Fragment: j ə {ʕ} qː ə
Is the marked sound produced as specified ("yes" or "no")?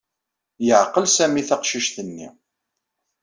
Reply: yes